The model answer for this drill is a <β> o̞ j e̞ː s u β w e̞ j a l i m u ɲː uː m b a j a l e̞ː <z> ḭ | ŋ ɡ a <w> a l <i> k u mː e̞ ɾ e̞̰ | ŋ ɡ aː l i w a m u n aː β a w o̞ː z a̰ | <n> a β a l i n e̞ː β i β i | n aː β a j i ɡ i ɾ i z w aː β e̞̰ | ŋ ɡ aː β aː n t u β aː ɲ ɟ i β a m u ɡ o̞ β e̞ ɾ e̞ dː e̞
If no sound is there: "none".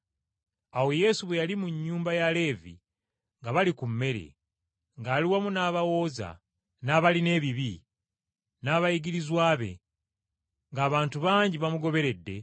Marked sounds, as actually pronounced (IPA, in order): w, v, β, i, n

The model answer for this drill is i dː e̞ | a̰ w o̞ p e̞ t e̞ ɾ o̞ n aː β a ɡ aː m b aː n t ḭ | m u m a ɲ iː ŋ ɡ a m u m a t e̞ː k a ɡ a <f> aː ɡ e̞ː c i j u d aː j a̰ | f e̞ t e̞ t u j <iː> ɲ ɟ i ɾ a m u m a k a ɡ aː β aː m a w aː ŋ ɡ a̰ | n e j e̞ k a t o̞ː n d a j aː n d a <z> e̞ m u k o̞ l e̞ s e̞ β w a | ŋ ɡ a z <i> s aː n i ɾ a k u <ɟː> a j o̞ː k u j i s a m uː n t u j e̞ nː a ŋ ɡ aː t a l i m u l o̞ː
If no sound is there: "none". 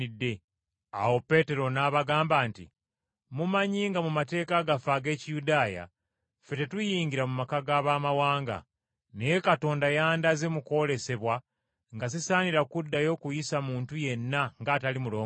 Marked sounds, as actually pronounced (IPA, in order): f, iː, z, i, dː

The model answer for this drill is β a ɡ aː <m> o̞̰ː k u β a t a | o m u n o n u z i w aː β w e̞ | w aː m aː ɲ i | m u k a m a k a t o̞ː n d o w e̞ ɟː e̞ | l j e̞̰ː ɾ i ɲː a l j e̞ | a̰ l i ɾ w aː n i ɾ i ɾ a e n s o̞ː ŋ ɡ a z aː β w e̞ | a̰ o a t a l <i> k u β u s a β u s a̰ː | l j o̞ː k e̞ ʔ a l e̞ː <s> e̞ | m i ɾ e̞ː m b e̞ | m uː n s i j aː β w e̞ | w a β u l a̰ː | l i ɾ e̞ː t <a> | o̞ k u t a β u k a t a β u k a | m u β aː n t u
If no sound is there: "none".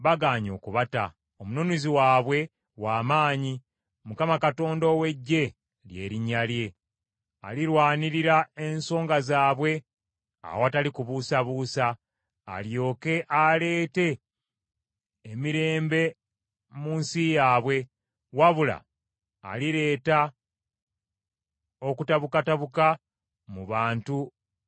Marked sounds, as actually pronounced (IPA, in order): ɲ, i, t, a

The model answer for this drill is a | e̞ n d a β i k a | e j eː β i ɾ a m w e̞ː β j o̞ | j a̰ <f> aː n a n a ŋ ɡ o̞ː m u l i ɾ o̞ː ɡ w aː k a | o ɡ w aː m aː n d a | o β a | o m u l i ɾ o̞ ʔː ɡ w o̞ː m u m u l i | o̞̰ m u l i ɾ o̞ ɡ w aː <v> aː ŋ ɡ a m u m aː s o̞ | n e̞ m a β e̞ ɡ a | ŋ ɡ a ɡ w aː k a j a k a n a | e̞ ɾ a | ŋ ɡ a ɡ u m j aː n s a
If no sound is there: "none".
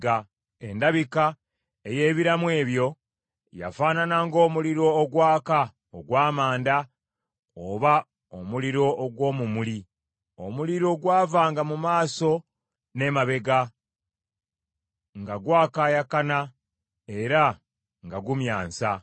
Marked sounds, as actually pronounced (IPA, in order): f, v

